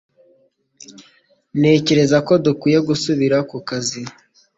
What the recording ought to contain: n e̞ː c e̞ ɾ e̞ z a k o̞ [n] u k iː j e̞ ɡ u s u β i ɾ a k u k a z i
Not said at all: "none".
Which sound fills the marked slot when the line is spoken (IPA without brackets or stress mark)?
d